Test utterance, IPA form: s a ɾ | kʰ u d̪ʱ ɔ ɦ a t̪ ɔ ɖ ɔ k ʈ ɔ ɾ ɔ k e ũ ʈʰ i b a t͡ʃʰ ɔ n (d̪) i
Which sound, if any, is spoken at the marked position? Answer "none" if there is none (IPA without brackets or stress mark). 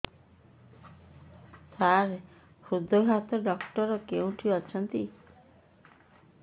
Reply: t̪